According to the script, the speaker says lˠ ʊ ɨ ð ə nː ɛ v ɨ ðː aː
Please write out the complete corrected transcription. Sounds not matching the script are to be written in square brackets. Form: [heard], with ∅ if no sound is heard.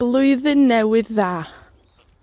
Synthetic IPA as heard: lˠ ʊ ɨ ð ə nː ɛ [w] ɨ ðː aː

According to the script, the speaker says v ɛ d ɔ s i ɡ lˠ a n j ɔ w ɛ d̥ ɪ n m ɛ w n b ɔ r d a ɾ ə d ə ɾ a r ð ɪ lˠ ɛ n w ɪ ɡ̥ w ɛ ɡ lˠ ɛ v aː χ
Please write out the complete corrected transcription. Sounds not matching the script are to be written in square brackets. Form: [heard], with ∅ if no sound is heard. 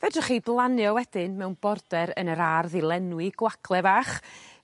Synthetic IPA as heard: v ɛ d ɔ [χ] i [b] lˠ a n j ɔ w ɛ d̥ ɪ n m ɛ w n b ɔ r d [ɛ] ɾ ə [n] ə ɾ a r ð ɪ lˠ ɛ n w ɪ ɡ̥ w [a] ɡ lˠ ɛ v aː χ

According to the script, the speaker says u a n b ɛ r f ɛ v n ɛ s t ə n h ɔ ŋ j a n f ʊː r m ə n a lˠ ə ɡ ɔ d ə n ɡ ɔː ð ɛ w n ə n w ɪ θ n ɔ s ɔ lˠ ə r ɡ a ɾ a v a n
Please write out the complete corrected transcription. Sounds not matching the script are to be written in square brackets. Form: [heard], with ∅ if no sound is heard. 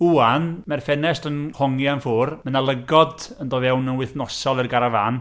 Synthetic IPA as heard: u a n [m] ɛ r f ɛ [∅] n ɛ s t ə n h ɔ ŋ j a n f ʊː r m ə n a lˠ ə ɡ ɔ d ə n [d] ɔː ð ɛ w n ə n w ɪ θ n ɔ s ɔ lˠ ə r ɡ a ɾ a v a n

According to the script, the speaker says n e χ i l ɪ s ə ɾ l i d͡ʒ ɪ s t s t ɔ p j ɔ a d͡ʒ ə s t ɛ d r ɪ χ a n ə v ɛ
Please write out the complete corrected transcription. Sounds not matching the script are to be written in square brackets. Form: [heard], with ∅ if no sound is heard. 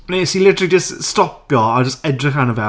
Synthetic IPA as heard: n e [s] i l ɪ [t] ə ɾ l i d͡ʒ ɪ s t s t ɔ p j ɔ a d͡ʒ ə s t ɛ d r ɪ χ a n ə v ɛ

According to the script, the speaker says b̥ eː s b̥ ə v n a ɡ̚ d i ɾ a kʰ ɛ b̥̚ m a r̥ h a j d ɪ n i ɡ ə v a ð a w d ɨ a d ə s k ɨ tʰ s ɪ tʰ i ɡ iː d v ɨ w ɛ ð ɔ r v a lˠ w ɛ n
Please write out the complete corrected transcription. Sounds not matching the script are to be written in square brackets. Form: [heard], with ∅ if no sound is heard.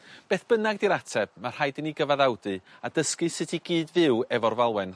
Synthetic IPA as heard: b̥ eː [θ] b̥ ə [∅] n a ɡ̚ d i ɾ a [tʰ] ɛ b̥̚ m a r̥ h a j d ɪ n i ɡ ə v a ð a w d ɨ a d ə s k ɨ [∅] s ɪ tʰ i ɡ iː d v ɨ w ɛ [v] ɔ r v a lˠ w ɛ n

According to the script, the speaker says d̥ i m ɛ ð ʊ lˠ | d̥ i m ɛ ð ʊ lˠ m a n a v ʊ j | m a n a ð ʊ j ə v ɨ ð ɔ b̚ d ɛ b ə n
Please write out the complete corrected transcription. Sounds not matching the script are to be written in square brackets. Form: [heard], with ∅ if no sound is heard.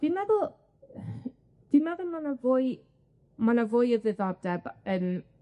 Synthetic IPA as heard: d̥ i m ɛ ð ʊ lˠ | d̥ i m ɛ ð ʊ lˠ m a n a v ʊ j | m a n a [v] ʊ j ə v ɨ ð ɔ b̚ d ɛ b ə n

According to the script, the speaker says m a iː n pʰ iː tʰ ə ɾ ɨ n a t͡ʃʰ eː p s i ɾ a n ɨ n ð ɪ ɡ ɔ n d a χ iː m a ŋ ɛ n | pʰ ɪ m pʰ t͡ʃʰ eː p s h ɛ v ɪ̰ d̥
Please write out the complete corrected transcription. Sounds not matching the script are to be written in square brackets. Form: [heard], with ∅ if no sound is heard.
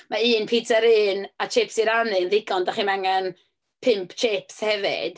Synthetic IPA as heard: m a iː n pʰ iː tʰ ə ɾ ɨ n a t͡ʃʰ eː p s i ɾ a n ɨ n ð ɪ ɡ ɔ n d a χ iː m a ŋ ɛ n | pʰ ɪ m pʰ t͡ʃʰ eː p s h ɛ v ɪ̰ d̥

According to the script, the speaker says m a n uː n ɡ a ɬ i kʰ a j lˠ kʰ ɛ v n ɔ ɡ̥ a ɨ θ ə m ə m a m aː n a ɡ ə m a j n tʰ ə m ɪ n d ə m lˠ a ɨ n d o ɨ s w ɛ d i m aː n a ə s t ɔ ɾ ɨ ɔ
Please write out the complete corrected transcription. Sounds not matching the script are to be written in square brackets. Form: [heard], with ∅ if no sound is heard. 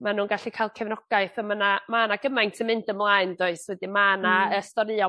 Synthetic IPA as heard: m a n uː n ɡ a ɬ i kʰ a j lˠ kʰ ɛ v n ɔ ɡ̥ a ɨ θ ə m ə [n] a m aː n a ɡ ə m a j n tʰ ə m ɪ n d ə m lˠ a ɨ n d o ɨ s w ɛ d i m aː n a ə s t ɔ ɾ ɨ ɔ

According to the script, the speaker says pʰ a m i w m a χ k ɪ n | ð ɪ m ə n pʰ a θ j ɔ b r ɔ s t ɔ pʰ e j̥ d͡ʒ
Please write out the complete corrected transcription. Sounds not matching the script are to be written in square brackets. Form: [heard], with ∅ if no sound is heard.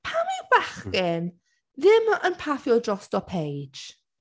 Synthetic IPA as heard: pʰ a m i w [b] a χ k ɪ n | ð ɪ m ə n pʰ a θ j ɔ [d] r ɔ s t ɔ pʰ e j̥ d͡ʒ

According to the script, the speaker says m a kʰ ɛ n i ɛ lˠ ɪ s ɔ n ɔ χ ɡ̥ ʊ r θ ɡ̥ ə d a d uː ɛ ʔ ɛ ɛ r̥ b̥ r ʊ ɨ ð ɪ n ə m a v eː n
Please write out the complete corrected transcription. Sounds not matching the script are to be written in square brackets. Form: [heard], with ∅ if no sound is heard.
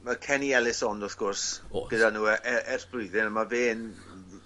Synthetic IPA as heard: m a kʰ ɛ n i ɛ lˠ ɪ s ɔ n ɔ [θ] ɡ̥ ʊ r [s] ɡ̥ ə d a [n] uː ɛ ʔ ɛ ɛ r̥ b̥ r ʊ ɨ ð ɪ n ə m a v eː n

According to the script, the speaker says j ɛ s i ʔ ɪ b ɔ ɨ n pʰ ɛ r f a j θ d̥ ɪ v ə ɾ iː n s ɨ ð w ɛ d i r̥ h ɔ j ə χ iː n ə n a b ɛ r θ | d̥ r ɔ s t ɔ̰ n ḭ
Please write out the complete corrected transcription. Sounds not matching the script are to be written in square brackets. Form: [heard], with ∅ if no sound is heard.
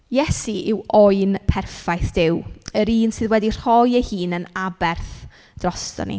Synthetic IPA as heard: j ɛ s i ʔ ɪ [w] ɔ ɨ n pʰ ɛ r f a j θ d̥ ɪ [w] ə ɾ iː n s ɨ ð w ɛ d i r̥ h ɔ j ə [h] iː n ə n a b ɛ r θ | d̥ r ɔ s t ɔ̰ n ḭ

